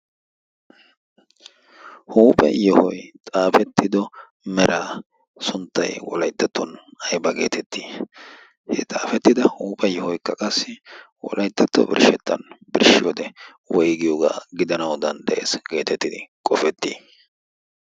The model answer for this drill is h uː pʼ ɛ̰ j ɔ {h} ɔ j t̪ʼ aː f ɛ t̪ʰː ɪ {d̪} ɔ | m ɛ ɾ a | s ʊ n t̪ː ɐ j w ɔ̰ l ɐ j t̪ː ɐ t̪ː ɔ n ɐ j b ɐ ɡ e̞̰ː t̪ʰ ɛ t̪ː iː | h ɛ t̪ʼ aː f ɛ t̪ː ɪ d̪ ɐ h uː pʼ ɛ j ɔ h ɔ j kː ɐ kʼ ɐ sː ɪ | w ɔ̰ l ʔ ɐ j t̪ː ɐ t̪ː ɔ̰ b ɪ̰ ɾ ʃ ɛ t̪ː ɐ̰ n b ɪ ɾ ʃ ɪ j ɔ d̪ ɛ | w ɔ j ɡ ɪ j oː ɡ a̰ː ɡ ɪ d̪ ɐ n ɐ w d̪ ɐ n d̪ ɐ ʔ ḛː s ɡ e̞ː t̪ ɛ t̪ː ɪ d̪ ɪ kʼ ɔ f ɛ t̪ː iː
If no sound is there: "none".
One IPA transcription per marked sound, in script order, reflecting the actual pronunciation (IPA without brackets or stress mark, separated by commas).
h, d̪